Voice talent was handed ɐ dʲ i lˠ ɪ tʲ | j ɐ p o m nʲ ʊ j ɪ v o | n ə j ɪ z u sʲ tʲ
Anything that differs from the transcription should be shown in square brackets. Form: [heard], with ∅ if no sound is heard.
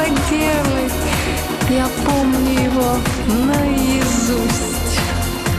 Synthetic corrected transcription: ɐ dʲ [e] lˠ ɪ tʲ | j [a] p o m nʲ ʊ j ɪ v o | n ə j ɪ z u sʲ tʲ